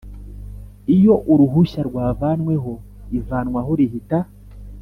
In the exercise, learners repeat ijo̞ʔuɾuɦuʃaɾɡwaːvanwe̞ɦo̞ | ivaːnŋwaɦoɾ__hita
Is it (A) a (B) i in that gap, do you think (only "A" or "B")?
B